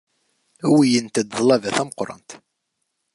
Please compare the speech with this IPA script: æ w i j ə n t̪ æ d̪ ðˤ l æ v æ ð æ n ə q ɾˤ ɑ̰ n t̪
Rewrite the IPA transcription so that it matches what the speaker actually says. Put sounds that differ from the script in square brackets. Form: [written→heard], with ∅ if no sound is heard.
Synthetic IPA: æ w i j ə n t̪ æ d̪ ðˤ l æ v æ [ð→θ] æ [n→m] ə q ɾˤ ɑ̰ n t̪